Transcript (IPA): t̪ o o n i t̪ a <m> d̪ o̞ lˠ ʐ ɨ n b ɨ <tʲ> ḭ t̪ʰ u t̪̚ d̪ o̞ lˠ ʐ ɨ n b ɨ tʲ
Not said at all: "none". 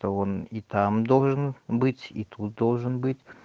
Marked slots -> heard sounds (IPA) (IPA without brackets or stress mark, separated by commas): m, tʲ